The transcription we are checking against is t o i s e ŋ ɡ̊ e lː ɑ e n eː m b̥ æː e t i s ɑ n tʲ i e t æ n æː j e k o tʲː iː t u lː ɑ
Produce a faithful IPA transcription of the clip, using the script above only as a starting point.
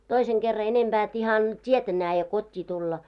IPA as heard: t o i s e ŋ ɡ̊ e rː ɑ e n e m b̥ æː e t i h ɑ n tʲ i e t æ n æː j e k o tʲː iː t u lː ɑ